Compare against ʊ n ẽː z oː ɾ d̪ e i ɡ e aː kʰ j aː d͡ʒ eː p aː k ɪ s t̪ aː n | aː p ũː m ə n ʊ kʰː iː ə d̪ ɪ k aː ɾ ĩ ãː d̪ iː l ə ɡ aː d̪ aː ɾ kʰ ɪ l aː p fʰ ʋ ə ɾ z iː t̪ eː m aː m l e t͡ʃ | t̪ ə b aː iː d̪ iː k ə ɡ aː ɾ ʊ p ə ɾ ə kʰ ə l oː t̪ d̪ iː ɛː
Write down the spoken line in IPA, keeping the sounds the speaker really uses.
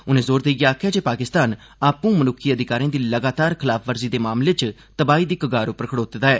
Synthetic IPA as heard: ʊ n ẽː z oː ɾ d̪ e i ɡ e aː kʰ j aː d͡ʒ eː p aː k ɪ s t̪ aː n | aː p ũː m ə n ʊ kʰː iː ə d̪ ɪ k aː ɾ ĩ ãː d̪ iː l ə ɡ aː t̪ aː ɾ kʰ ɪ l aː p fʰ ʋ ə ɾ z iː d̪ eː m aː m l e t͡ʃ | t̪ ə b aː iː d̪ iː k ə ɡ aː ɾ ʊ p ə ɾ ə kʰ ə ɽ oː t̪ d̪ aː ɛː

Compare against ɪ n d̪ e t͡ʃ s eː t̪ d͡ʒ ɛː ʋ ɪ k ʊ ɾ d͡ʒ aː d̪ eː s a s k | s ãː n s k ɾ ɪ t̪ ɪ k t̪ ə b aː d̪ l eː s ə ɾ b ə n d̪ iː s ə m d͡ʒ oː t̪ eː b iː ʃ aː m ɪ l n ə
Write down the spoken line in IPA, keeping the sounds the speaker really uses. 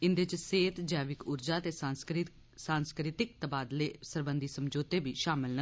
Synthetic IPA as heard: ɪ n d̪ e t͡ʃ s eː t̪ d͡ʒ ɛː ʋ ɪ k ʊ ɾ d͡ʒ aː t̪ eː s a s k | s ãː n s k ɾ ɪ t̪ ɪ k t̪ ə b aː d̪ l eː s ə ɾ b ə n d̪ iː s ə m d͡ʒ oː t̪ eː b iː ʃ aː m ɪ l n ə

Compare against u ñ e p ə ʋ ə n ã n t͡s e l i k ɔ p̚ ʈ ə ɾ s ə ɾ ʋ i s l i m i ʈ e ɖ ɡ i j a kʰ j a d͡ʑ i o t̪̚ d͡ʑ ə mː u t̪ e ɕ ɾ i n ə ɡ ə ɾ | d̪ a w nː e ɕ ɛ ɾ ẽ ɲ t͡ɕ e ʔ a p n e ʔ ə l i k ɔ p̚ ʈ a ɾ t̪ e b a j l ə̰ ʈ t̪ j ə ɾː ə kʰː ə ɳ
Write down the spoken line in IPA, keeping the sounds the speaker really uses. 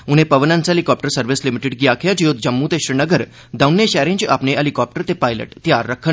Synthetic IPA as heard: u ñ e p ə ʋ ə n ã n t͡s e l i k ɔ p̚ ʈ ə ɾ s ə ɾ ʋ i s l i m i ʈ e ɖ ɡ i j a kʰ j a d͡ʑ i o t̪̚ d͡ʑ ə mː u t̪ e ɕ ɾ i n ə ɡ ə ɾ | d̪ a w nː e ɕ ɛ ɾ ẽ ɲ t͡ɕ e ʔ a p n e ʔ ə l i k ɔ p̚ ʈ ə ɾ t̪ e p a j l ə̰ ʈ t̪ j a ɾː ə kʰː ə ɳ

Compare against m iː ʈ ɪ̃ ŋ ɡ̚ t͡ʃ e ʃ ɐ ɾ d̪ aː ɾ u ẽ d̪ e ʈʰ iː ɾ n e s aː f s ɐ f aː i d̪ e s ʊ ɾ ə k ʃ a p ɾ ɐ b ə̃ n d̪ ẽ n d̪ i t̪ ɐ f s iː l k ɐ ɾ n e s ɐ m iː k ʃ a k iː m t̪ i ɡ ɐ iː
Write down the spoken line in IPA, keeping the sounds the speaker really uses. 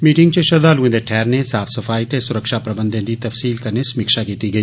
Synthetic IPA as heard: m iː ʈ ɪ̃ ŋ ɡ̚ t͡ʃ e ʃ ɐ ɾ d̪ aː l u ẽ d̪ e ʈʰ ɛː ɾ n e s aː f s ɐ f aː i t̪ e s ʊ ɾ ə k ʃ a p ɾ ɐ b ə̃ n d̪ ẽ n d̪ i t̪ ɐ f s iː l k ɐ ɾ n e s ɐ m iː k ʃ a k iː t̪ i ɡ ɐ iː

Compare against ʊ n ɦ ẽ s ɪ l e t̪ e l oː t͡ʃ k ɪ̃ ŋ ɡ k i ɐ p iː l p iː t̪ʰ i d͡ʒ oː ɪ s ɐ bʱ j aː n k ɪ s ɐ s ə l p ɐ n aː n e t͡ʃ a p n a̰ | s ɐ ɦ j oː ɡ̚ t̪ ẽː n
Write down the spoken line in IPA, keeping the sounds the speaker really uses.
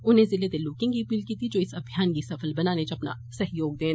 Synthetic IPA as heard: ʊ n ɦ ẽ z ɪ l e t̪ e l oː k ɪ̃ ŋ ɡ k i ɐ p iː l k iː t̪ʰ i d͡ʒ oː ɪ s ɐ bʱ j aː n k i s ɐ f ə l b ɐ n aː n e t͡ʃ ɐ p n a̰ | s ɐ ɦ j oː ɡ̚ d̪ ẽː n

